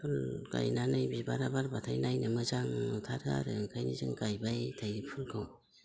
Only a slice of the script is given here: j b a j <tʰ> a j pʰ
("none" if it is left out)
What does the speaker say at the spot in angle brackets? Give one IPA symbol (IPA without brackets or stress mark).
tʰ